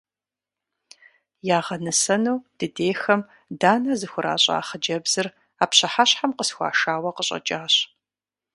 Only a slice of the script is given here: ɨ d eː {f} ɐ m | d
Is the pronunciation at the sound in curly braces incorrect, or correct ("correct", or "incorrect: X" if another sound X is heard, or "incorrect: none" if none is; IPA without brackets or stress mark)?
incorrect: x